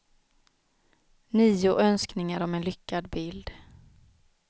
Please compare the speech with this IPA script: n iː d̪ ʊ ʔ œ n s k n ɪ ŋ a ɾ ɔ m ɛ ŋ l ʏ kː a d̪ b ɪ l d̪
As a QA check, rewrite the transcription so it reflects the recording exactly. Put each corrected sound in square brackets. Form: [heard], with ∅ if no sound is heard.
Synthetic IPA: n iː [∅] ʊ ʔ œ n s k n ɪ ŋ a ɾ ɔ m ɛ [n] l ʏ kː a d̪ b ɪ l d̪